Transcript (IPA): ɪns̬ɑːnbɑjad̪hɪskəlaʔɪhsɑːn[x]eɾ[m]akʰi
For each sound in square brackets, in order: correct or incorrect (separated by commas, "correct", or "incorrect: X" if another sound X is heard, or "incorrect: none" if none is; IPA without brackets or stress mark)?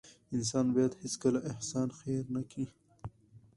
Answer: correct, incorrect: n